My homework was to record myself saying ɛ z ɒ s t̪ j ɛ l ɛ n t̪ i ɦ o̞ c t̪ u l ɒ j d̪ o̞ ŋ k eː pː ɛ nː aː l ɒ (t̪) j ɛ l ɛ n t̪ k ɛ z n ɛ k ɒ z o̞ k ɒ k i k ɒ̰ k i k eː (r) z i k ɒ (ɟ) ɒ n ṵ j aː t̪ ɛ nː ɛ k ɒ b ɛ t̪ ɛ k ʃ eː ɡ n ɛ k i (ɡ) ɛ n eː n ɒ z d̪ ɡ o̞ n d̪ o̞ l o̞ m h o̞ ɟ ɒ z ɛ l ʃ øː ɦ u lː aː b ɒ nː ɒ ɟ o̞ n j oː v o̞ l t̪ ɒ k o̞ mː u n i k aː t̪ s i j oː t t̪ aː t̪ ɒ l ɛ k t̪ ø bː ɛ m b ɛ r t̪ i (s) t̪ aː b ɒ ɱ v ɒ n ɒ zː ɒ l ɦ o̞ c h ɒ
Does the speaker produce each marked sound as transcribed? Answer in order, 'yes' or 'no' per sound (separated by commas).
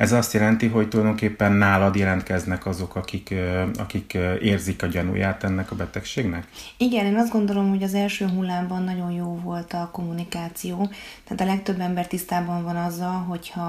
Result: no, yes, yes, yes, yes